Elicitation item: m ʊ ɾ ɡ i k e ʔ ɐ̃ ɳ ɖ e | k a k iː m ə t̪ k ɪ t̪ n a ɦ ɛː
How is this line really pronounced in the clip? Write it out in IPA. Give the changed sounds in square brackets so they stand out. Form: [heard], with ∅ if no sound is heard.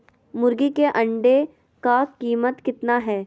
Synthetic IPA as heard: m ʊ ɾ ɡ i k e ʔ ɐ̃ ɳ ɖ e | k a k iː m ə t̪ k ɪ t̪ n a ɦ ɛː